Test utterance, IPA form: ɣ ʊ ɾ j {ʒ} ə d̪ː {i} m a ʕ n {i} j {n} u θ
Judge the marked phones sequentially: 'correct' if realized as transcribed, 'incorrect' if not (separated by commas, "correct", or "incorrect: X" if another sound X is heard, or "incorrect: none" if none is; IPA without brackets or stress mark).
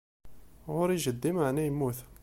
correct, correct, incorrect: æ, incorrect: m